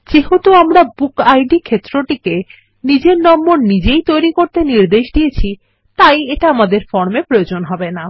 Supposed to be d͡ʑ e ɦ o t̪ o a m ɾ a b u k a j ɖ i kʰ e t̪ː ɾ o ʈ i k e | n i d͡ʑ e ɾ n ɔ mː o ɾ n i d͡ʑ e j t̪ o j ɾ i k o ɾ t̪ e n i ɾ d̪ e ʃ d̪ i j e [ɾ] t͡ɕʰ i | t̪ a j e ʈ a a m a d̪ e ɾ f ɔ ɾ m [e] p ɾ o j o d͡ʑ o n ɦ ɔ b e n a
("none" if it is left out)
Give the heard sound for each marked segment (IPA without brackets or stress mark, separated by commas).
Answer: none, e